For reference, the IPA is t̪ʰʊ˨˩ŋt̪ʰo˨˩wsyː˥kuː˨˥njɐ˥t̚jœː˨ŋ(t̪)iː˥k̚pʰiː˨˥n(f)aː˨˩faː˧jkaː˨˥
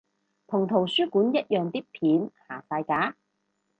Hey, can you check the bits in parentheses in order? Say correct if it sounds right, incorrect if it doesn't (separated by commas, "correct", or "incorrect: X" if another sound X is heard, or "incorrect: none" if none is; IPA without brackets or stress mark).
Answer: correct, incorrect: h